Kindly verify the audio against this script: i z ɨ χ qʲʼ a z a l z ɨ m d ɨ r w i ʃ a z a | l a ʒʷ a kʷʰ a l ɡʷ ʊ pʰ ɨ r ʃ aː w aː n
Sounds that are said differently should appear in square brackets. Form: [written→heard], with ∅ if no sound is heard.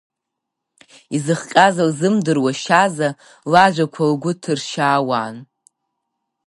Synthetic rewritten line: i z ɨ χ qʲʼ a z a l z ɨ m d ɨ r w [i→a] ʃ a z a | l a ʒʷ a kʷʰ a l ɡʷ ʊ [pʰ→tʰ] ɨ r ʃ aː w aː n